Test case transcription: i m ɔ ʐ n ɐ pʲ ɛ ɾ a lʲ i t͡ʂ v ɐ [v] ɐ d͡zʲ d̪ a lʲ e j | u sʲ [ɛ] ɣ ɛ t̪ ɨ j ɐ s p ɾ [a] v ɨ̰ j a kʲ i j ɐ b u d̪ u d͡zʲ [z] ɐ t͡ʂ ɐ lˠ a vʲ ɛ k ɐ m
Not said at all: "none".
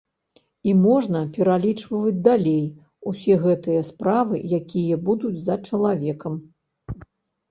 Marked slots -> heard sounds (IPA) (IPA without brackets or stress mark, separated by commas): v, ɛ, a, z